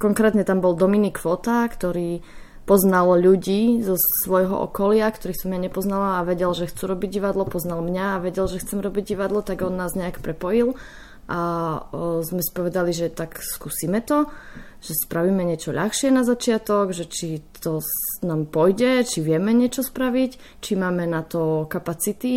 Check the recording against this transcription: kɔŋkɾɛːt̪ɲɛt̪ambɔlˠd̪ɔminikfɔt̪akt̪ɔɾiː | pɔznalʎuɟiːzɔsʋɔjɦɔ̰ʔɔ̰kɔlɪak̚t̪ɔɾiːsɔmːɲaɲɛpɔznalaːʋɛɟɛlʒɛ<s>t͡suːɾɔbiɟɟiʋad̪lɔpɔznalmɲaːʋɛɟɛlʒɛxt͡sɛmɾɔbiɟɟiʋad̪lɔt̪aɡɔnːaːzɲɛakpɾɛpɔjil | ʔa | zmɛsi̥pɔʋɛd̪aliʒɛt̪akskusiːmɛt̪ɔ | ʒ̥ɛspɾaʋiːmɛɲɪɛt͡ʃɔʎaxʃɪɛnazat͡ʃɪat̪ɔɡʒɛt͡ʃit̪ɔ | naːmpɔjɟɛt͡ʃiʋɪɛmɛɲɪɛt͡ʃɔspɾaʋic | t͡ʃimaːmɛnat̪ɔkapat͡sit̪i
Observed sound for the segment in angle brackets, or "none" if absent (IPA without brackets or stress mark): x